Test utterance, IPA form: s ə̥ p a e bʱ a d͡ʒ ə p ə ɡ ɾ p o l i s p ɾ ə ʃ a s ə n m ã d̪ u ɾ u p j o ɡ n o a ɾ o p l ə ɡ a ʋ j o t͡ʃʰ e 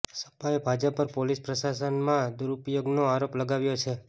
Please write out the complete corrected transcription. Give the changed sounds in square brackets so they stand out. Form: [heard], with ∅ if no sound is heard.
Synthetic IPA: s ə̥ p a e bʱ a d͡ʒ ə p ə [∅] ɾ p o l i s p ɾ ə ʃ a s ə n m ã d̪ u ɾ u p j o ɡ n o a ɾ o p l ə ɡ a ʋ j o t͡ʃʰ e